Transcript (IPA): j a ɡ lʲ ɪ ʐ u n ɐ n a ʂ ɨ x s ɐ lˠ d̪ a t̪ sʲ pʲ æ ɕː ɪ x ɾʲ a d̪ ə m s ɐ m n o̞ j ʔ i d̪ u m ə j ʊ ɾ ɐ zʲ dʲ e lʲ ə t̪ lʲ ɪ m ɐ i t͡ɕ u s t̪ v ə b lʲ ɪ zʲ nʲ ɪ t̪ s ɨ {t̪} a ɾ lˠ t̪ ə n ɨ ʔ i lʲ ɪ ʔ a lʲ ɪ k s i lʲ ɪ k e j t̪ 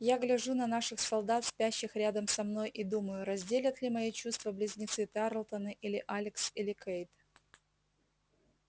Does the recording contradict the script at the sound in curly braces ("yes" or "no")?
no